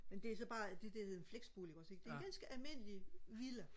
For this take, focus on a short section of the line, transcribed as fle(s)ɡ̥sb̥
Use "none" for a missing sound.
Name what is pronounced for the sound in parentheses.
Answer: none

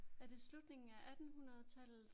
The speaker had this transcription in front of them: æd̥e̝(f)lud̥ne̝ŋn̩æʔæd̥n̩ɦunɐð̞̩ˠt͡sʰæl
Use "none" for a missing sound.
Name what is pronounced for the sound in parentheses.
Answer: s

